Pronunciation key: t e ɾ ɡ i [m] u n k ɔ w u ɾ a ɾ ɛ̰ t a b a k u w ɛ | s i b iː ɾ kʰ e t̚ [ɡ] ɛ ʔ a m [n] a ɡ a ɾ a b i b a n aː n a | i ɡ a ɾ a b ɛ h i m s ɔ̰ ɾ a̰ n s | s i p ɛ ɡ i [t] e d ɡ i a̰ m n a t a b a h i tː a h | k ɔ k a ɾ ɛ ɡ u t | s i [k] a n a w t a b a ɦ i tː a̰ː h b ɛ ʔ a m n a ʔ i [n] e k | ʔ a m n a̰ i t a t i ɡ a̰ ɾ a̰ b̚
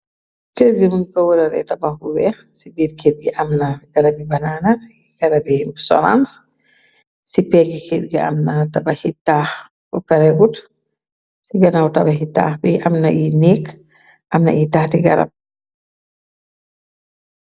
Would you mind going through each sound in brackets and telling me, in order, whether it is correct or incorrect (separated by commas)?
correct, correct, correct, incorrect, incorrect, correct